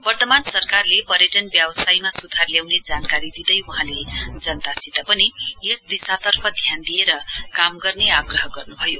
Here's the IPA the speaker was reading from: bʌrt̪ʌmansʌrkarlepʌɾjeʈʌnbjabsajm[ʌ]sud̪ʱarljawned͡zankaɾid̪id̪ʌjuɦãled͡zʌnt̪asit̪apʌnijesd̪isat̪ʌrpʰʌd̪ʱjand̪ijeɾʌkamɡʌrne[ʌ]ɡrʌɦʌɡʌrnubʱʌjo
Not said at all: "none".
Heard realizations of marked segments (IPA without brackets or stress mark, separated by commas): a, a